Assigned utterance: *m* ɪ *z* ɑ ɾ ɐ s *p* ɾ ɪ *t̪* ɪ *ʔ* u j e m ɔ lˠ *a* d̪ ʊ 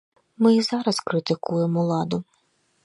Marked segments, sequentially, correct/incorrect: correct, correct, incorrect, correct, incorrect, incorrect

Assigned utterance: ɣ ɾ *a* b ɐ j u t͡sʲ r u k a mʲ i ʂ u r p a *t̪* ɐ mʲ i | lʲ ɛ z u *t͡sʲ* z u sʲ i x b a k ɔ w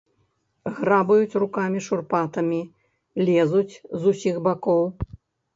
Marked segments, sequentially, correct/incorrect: correct, correct, correct

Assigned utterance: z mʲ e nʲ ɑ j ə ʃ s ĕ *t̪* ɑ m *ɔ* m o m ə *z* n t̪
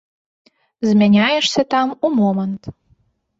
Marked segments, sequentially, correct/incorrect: correct, incorrect, incorrect

